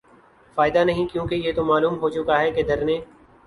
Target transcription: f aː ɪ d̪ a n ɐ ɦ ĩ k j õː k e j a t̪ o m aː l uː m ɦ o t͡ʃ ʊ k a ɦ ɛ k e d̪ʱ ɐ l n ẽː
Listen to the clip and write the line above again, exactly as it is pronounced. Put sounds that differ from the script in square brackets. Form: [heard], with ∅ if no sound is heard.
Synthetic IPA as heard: f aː ɪ d̪ a n ɐ ɦ ĩ k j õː k e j [e] t̪ o m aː l uː m ɦ o t͡ʃ ʊ k a ɦ ɛ k e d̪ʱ ɐ [ɾ] n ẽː